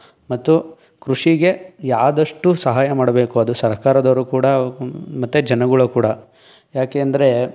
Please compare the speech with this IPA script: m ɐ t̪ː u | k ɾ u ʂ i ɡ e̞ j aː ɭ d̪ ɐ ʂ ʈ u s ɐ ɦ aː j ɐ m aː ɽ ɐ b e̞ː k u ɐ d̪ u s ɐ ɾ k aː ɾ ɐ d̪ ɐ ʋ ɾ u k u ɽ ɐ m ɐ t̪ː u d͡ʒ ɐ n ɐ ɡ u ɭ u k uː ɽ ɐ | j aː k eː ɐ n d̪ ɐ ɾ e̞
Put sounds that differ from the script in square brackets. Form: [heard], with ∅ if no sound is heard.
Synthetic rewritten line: m ɐ t̪ː u | k ɾ u ʂ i ɡ e̞ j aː [∅] d̪ ɐ ʂ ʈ u s ɐ ɦ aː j ɐ m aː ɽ ɐ b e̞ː k u ɐ d̪ u s ɐ ɾ k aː ɾ ɐ d̪ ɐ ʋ ɾ u k [uː] ɽ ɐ m ɐ t̪ː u d͡ʒ ɐ n ɐ ɡ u ɭ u k uː ɽ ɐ | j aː k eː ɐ n d̪ ɐ ɾ e̞

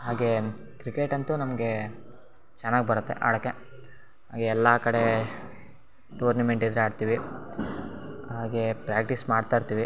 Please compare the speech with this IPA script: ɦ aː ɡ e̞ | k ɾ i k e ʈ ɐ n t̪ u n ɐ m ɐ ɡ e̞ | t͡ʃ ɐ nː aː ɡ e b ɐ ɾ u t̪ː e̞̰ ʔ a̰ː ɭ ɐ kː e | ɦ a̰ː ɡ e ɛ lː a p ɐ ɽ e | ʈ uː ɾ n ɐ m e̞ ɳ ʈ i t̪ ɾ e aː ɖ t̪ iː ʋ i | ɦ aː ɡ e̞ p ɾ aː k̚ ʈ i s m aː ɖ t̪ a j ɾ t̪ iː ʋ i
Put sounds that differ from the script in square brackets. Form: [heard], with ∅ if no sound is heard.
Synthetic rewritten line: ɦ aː ɡ e̞ | k ɾ i k e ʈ ɐ n t̪ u n ɐ m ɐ ɡ e̞ | t͡ʃ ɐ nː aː ɡ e b ɐ ɾ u t̪ː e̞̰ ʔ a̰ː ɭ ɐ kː e | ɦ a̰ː ɡ e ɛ lː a [k] ɐ ɽ e | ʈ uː ɾ n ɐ m e̞ ɳ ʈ i [d̪] ɾ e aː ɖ t̪ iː ʋ i | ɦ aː ɡ e̞ p ɾ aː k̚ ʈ i s m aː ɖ t̪ a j ɾ t̪ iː ʋ i

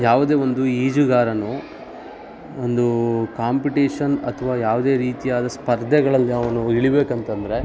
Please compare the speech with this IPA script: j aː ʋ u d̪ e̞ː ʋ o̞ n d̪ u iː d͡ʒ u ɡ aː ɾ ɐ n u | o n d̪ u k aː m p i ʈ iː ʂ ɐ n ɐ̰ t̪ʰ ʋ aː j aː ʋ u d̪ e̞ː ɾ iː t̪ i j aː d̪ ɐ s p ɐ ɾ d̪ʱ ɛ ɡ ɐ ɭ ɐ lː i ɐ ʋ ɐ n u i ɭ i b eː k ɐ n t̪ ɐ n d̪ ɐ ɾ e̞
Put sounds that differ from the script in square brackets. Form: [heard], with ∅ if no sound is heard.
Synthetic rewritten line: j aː ʋ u d̪ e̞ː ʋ o̞ n d̪ u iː d͡ʒ u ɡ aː ɾ ɐ n u | o n d̪ u k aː m p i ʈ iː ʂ ɐ n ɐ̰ t̪ʰ ʋ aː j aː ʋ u d̪ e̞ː ɾ iː t̪ i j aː d̪ ɐ s p ɐ ɾ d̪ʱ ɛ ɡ ɐ ɭ ɐ lː i ɐ ʋ ɐ n u i ɭ i b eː k ɐ n t̪ ɐ n d̪ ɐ ɾ e̞

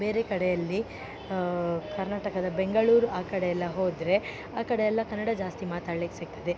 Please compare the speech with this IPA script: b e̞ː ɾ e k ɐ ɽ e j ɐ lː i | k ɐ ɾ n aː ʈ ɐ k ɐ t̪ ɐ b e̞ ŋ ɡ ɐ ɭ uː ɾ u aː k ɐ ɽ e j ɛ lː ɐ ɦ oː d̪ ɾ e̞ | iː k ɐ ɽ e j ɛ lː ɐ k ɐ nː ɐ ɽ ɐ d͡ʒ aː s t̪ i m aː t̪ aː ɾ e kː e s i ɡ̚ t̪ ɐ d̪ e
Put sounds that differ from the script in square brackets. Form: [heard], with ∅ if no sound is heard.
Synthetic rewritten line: b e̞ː ɾ e k ɐ ɽ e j ɐ lː i | k ɐ ɾ n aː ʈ ɐ k ɐ [d̪] ɐ b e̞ ŋ ɡ ɐ ɭ uː ɾ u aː k ɐ ɽ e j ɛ lː ɐ ɦ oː d̪ ɾ e̞ | [aː] k ɐ ɽ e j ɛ lː ɐ k ɐ nː ɐ ɽ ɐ d͡ʒ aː s t̪ i m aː t̪ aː [ɭ] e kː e s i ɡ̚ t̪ ɐ d̪ e

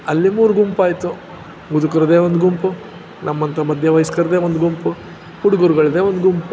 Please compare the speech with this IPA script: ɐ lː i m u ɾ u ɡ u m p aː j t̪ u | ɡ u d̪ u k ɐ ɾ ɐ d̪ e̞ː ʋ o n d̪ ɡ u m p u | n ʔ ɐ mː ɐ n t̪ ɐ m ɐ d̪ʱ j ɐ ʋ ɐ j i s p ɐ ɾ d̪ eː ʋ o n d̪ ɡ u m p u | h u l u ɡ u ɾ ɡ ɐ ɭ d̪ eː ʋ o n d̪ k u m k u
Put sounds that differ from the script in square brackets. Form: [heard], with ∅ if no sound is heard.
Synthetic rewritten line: ɐ lː i m [uː] ɾ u ɡ u m p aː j t̪ u | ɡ u d̪ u k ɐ ɾ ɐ d̪ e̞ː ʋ o n d̪ ɡ u m p u | n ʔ ɐ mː ɐ n t̪ ɐ m ɐ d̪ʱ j ɐ ʋ ɐ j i s [k] ɐ ɾ d̪ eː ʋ o n d̪ ɡ u m p u | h u [ɽ] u ɡ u ɾ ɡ ɐ ɭ d̪ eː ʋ o n d̪ [ɡ] u m [p] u

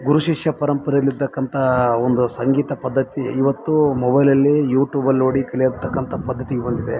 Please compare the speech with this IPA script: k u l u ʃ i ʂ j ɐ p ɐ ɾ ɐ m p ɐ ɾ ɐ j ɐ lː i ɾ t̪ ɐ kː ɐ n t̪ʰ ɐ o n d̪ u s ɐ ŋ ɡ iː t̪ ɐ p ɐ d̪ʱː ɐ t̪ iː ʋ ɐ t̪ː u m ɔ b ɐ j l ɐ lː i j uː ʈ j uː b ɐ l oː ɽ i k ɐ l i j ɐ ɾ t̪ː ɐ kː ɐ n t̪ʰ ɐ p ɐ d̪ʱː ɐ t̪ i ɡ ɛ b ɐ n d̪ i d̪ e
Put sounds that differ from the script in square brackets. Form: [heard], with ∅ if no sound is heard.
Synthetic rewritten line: [ɡ] u [ɾ] u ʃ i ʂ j ɐ p ɐ ɾ ɐ m p ɐ ɾ ɐ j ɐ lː i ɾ t̪ ɐ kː ɐ n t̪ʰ ɐ o n d̪ u s ɐ ŋ ɡ iː t̪ ɐ p ɐ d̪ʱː ɐ t̪ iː ʋ ɐ t̪ː u m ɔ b ɐ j l ɐ lː i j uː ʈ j uː b ɐ l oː ɽ i k ɐ l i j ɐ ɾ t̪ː ɐ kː ɐ n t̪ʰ ɐ p ɐ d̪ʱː ɐ t̪ i ɡ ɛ b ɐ n d̪ i d̪ e

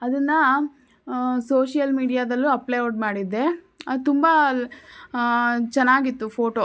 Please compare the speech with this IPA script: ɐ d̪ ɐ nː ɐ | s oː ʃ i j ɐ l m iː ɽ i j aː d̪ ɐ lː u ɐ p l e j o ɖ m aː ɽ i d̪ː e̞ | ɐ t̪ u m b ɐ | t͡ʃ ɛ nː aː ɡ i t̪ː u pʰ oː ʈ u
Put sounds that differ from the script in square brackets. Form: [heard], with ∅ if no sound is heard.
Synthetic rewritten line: ɐ d̪ ɐ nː ɐ | s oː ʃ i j ɐ l m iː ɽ i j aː d̪ ɐ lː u ɐ p l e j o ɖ m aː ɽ i d̪ː e̞ | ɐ t̪ u m b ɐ | t͡ʃ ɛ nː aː ɡ i t̪ː u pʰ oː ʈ [o]

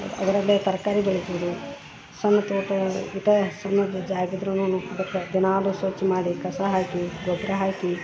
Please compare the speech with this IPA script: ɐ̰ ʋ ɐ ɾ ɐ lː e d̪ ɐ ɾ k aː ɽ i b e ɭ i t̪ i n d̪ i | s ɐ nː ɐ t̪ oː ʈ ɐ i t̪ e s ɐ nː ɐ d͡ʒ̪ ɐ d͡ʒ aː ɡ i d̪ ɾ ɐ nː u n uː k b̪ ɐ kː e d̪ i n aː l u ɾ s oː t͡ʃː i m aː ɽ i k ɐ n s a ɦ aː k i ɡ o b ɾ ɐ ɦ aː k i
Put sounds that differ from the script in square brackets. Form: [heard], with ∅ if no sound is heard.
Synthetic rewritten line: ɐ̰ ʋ ɐ ɾ ɐ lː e [t̪] ɐ ɾ k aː [ɾ] i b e ɭ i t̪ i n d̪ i | s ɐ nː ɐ t̪ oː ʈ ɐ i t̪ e s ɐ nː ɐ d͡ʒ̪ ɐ d͡ʒ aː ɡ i d̪ ɾ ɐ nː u n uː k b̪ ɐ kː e d̪ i n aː l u [∅] s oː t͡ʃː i m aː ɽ i k ɐ [∅] s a ɦ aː k i ɡ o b ɾ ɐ ɦ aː k i

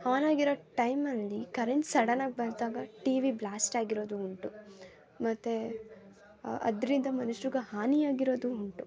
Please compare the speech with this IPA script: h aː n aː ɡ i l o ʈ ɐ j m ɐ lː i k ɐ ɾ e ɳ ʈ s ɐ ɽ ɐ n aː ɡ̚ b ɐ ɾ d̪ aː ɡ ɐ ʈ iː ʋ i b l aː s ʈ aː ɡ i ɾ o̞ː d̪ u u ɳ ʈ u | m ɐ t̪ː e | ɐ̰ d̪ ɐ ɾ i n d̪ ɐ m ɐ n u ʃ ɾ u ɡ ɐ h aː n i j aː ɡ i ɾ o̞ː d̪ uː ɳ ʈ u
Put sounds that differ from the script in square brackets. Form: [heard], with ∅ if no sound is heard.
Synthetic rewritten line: h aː n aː ɡ i [ɾ] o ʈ ɐ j m ɐ lː i k ɐ ɾ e ɳ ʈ s ɐ ɽ ɐ n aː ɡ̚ b ɐ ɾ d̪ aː ɡ ɐ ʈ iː ʋ i b l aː s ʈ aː ɡ i ɾ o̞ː d̪ u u ɳ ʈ u | m ɐ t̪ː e | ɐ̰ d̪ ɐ ɾ i n d̪ ɐ m ɐ n u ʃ ɾ u ɡ ɐ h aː n i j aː ɡ i ɾ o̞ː d̪ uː ɳ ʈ u

